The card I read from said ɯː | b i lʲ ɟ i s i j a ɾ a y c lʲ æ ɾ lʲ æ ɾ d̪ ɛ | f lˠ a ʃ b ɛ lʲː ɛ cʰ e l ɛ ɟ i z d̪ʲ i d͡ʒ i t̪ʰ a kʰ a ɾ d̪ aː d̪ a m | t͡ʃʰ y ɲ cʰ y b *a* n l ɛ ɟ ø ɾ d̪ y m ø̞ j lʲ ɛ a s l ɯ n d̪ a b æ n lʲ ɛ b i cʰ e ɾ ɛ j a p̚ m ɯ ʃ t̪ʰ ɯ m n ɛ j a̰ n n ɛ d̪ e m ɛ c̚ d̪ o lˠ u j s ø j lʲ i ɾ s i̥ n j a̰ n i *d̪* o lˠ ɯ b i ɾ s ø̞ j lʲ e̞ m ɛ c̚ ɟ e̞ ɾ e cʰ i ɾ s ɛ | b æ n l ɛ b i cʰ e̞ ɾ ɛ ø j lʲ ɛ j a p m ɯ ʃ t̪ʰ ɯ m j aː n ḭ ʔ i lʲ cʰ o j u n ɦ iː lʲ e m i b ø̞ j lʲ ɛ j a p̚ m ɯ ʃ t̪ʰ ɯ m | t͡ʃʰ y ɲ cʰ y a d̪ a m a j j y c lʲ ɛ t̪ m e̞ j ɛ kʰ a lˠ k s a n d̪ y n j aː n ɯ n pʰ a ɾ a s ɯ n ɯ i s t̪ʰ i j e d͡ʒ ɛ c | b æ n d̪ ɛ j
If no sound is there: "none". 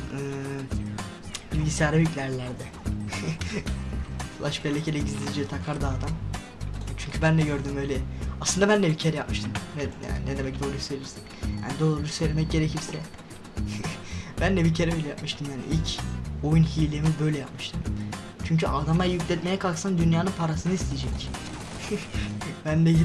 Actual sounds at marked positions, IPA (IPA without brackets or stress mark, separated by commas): æ, d̪